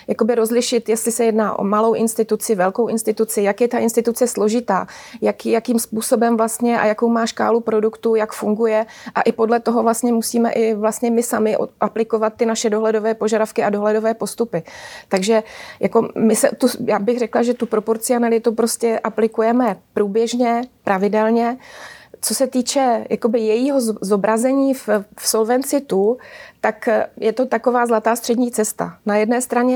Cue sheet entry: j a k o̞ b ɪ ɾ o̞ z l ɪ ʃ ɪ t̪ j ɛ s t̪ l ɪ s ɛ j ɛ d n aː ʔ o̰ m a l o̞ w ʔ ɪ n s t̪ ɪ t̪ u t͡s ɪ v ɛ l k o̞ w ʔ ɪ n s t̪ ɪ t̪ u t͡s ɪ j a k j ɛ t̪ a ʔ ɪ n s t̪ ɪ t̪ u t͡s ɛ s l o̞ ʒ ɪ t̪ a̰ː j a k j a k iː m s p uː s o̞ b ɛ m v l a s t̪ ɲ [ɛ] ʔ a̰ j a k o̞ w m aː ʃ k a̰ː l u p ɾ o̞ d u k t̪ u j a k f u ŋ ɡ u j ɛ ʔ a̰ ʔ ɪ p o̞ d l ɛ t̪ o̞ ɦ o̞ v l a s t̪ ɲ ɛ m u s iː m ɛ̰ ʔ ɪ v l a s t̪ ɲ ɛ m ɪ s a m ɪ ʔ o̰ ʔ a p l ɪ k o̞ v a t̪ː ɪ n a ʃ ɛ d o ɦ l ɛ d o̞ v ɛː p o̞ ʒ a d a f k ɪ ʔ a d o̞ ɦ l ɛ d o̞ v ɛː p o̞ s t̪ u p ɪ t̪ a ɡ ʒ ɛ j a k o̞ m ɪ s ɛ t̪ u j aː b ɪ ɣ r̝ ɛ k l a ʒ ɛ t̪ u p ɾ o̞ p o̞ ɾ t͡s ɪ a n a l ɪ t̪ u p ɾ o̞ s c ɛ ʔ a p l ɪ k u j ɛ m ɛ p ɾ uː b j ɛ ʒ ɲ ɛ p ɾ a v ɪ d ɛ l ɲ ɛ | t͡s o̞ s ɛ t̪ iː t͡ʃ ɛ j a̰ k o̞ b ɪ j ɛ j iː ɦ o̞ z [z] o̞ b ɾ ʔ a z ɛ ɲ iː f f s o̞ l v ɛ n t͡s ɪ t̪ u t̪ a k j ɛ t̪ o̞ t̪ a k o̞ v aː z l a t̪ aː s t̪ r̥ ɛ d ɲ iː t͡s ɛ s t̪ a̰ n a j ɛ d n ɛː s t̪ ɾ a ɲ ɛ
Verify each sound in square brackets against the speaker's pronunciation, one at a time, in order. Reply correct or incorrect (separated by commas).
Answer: correct, correct